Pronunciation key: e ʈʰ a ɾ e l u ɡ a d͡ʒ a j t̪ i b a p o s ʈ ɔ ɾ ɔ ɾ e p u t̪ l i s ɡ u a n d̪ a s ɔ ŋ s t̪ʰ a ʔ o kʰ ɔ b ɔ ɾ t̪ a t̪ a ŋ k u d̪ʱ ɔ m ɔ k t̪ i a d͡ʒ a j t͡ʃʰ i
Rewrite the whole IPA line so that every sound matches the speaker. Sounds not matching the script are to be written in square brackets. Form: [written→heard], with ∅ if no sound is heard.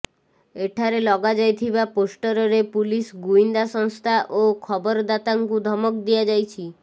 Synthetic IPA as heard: e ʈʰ a ɾ e l [u→ɔ] ɡ a d͡ʒ a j [t̪→t̪ʰ] i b a p o s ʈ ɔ ɾ ɔ ɾ e p u [t̪→∅] l i s ɡ u [a→i] n d̪ a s ɔ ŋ s t̪ʰ a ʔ o kʰ ɔ b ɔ ɾ [t̪→d̪] a t̪ a ŋ k u d̪ʱ ɔ m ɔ k [t̪→d̪] i a d͡ʒ a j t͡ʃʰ i